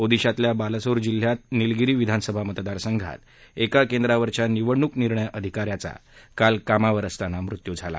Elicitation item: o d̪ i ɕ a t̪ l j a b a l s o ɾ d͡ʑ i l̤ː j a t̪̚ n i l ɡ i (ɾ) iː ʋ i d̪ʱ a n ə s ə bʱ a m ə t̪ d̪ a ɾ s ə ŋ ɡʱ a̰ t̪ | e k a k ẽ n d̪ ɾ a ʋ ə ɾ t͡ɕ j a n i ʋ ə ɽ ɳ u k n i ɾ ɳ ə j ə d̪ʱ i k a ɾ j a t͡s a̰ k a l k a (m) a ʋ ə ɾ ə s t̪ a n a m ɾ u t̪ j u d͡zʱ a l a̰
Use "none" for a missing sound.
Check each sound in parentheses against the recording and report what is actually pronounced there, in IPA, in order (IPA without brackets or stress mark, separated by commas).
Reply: ɾ, m